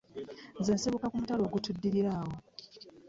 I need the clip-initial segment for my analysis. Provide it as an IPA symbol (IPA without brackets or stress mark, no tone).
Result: z